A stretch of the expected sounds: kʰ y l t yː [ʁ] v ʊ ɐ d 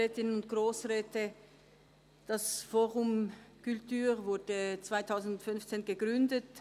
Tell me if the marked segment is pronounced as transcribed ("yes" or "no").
yes